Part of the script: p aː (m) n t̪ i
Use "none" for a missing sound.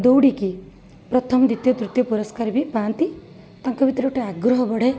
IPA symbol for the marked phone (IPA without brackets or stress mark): none